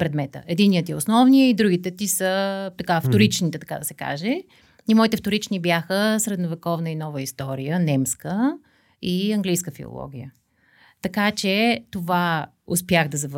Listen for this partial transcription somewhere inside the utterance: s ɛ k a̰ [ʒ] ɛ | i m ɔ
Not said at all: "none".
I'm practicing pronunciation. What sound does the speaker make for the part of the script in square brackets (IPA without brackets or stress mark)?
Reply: ʒ